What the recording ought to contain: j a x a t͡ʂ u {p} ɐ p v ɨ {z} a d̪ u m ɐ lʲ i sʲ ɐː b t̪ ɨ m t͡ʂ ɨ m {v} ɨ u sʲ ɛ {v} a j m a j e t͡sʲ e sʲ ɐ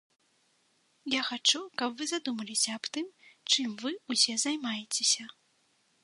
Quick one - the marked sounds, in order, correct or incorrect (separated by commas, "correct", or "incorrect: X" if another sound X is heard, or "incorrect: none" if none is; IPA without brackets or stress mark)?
incorrect: k, correct, correct, incorrect: z